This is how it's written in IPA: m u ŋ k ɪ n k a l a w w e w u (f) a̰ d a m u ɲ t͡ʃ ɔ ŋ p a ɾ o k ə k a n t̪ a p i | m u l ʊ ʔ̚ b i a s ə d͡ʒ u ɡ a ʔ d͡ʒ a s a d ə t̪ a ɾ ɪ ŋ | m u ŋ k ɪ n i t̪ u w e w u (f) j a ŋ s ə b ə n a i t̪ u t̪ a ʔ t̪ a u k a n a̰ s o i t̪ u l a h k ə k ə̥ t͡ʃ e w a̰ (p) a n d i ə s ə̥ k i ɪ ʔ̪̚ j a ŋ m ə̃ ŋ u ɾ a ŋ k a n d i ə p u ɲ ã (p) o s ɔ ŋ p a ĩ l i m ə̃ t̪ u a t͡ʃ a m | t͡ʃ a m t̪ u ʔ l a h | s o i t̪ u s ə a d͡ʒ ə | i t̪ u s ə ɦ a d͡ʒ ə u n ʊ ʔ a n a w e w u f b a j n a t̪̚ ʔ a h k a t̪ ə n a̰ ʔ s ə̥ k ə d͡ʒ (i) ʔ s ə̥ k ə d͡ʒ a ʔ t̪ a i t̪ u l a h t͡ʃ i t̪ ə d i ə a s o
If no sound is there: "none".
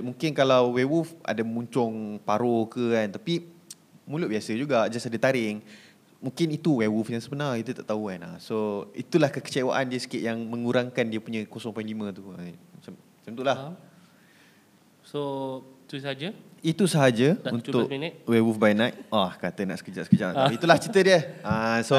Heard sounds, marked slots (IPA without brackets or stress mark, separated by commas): f, f, ʔ, k, a